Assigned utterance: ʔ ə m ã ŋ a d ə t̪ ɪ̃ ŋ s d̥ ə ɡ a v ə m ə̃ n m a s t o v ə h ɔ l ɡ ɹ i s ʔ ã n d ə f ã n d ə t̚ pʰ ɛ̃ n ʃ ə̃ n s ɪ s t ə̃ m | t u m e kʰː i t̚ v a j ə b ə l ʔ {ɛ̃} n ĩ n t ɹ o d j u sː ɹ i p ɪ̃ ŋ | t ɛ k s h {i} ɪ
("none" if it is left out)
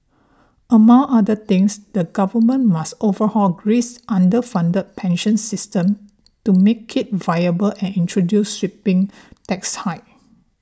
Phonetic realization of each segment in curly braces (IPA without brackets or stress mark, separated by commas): ɛ̃, a